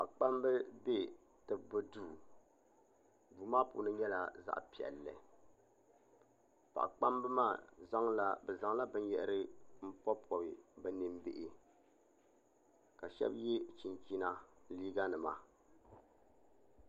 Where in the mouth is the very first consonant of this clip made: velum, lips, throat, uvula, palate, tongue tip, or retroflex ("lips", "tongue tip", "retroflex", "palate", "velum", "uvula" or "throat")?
lips